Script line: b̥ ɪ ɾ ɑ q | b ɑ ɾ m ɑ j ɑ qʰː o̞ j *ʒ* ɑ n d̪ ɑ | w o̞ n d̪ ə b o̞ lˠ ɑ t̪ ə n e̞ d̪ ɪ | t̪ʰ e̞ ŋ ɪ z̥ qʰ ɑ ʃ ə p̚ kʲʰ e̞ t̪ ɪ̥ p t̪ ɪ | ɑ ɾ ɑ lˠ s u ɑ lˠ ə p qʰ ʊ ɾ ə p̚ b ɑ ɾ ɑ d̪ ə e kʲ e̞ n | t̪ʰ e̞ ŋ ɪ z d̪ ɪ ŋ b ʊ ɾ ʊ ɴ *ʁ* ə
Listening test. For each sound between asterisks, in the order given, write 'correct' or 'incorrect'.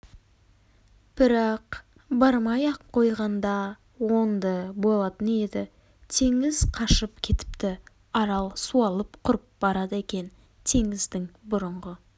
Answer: incorrect, correct

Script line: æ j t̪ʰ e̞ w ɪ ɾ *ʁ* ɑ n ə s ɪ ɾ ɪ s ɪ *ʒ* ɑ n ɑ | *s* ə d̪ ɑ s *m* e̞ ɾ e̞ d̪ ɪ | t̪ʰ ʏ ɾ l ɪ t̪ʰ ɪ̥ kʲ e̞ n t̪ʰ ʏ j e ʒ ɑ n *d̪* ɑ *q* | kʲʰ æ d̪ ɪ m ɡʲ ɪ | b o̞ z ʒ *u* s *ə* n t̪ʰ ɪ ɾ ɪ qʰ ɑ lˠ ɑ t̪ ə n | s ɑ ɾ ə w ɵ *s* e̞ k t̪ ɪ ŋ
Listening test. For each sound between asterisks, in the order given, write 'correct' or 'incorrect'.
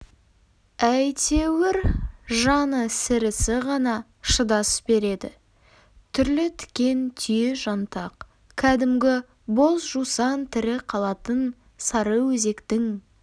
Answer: incorrect, incorrect, incorrect, incorrect, incorrect, correct, correct, incorrect, incorrect

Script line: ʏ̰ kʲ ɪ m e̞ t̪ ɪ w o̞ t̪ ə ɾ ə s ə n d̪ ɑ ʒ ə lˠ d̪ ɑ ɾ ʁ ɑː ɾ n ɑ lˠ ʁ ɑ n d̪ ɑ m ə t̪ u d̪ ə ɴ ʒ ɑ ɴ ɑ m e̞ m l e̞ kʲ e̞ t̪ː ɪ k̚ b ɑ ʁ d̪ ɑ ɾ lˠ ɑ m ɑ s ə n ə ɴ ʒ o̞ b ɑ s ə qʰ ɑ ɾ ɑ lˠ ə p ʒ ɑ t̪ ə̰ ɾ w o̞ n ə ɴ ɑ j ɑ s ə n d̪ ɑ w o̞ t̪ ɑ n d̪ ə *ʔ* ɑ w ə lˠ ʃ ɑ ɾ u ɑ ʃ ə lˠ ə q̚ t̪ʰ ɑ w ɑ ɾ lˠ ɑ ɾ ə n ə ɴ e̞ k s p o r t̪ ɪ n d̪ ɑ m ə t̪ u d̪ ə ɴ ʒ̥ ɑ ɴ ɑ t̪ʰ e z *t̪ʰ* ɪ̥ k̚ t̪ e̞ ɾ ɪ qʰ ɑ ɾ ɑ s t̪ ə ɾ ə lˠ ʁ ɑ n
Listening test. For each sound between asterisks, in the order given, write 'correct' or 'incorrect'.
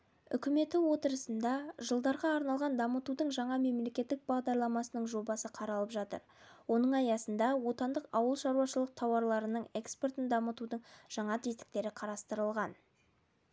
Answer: incorrect, incorrect

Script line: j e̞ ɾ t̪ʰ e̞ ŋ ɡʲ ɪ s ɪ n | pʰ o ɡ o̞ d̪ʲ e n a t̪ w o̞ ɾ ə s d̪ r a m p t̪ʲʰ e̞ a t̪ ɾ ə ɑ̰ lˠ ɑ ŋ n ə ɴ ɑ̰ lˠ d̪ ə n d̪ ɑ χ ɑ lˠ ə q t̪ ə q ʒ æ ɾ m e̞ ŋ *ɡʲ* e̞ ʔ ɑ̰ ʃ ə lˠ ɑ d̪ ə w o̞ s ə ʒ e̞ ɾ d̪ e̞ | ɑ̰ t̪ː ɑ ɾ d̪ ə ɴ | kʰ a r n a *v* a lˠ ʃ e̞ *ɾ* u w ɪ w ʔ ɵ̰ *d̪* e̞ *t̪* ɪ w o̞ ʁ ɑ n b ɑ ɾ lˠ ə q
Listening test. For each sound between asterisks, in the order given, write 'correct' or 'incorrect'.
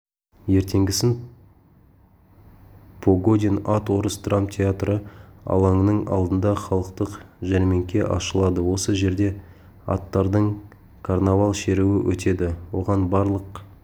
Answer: incorrect, correct, correct, incorrect, incorrect

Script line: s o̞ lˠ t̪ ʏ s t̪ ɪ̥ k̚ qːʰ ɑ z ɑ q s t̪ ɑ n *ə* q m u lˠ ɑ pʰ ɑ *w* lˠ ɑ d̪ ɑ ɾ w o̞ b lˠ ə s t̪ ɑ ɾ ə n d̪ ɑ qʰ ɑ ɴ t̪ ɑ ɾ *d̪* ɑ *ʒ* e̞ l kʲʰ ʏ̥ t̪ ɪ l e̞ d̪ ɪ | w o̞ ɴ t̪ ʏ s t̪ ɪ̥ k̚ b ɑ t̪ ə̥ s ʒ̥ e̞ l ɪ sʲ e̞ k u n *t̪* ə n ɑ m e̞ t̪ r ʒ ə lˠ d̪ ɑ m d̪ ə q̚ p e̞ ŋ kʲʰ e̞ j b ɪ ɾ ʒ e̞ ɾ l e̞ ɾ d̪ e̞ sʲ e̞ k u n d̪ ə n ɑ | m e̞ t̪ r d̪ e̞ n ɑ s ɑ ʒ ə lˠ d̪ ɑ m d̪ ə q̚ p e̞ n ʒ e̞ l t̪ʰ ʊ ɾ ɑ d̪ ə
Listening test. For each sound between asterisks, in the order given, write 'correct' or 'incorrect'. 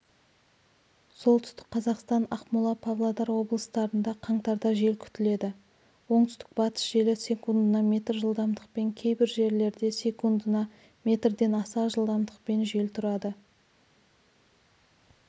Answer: incorrect, incorrect, correct, correct, incorrect

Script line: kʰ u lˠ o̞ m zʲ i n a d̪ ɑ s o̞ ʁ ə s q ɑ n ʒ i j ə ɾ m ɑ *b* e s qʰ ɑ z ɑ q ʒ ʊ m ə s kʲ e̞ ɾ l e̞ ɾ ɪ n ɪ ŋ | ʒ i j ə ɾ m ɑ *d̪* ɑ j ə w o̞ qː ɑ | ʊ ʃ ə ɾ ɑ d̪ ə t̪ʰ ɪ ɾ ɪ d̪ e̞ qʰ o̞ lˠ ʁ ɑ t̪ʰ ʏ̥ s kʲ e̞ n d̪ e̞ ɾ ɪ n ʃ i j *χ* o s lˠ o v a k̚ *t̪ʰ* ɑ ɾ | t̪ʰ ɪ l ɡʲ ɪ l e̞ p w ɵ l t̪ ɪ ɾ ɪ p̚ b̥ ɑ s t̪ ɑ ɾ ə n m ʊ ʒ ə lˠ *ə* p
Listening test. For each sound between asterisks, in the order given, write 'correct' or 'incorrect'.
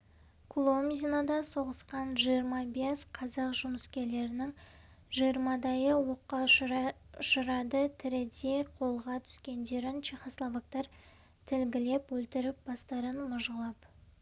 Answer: correct, correct, correct, incorrect, incorrect

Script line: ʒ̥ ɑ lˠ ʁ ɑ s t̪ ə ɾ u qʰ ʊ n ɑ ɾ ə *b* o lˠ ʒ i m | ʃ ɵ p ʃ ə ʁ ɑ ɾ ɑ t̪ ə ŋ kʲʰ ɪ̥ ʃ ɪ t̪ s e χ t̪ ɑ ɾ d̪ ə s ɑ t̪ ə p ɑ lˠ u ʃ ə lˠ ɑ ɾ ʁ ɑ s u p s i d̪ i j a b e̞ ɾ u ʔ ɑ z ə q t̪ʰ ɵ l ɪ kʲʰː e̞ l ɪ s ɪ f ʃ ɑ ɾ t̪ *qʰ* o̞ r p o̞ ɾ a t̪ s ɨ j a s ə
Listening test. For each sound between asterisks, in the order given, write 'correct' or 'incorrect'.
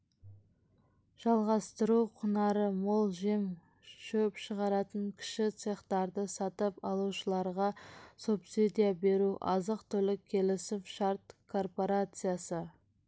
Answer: incorrect, incorrect

